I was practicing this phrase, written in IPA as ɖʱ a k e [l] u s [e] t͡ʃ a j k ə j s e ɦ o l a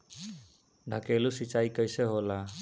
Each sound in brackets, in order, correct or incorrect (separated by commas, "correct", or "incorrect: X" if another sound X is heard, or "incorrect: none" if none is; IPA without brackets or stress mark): correct, incorrect: i